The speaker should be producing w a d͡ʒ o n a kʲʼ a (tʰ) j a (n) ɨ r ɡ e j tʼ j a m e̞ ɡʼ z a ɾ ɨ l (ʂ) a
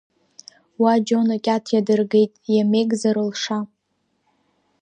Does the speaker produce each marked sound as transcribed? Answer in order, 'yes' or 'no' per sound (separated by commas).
yes, no, yes